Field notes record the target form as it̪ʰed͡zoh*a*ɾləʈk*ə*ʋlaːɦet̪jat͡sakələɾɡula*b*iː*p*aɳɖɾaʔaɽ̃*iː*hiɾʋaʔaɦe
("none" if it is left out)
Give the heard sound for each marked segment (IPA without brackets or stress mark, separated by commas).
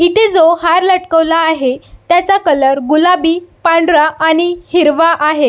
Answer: a, ə, b, p, i